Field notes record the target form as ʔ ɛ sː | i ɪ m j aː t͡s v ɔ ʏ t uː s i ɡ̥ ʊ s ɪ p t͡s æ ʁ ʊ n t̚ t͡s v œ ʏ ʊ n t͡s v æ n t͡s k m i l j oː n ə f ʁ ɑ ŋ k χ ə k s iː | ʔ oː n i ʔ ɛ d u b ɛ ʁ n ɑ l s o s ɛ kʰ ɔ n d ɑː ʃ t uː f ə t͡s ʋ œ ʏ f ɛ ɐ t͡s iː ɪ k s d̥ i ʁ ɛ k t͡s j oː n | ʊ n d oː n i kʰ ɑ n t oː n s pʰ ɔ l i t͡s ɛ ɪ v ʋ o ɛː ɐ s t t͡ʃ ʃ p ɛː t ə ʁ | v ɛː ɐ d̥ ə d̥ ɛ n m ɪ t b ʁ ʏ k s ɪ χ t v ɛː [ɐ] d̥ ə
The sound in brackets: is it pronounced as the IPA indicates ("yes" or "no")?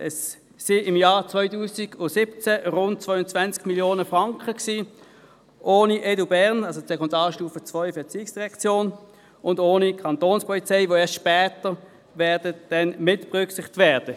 yes